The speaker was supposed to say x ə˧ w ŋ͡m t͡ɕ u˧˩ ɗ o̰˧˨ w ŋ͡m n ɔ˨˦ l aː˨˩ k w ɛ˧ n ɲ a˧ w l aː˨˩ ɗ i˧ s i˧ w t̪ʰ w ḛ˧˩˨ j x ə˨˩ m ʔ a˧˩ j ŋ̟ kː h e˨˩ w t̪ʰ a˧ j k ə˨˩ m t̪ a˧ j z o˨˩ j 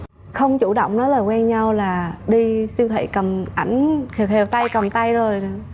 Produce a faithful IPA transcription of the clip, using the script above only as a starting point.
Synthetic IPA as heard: x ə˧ w ŋ͡m t͡ɕ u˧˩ ɗ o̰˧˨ w ŋ͡m n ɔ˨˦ l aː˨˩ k w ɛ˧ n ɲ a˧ w l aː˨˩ ɗ i˧ s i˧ w t̪ʰ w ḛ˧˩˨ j k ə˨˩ m ʔ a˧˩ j ŋ̟ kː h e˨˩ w t̪ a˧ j k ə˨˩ m t̪ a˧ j z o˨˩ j